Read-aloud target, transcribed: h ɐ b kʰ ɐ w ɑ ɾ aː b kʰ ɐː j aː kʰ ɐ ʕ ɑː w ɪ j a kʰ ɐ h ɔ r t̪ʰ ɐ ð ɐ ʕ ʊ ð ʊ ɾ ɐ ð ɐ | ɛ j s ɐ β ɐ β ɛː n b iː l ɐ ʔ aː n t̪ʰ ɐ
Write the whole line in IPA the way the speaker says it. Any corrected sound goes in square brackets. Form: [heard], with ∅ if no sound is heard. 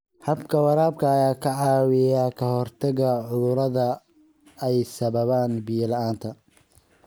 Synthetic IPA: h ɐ b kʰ ɐ w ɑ ɾ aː b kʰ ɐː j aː kʰ ɐ ʕ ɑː w ɪ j a kʰ ɐ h ɔ r t̪ʰ ɐ [ɣ] ɐ ʕ ʊ ð ʊ ɾ ɐ ð ɐ | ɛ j s ɐ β ɐ β [aː] n b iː l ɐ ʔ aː n t̪ʰ ɐ